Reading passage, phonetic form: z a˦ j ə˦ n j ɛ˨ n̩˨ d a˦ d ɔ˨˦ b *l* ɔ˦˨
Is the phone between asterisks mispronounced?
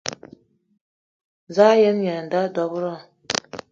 yes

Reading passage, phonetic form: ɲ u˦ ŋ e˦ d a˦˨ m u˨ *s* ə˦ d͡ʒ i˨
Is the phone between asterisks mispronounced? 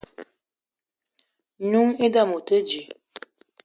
yes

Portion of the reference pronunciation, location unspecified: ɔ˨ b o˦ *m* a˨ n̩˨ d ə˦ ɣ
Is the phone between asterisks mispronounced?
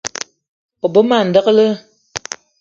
no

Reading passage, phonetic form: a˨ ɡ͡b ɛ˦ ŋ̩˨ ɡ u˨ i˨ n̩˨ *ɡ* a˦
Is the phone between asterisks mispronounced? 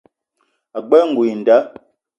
yes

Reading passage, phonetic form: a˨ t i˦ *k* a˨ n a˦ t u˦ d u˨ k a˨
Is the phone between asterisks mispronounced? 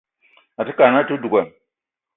no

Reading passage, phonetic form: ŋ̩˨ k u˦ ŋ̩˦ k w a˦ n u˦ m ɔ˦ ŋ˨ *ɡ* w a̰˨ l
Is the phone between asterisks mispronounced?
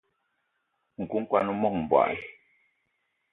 yes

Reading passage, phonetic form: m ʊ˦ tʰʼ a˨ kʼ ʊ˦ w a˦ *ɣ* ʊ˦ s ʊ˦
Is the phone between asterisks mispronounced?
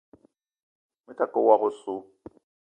no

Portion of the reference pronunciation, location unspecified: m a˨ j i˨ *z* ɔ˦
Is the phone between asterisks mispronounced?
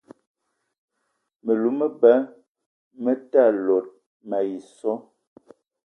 yes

